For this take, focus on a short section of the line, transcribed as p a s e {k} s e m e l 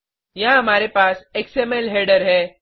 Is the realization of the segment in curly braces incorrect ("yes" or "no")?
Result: no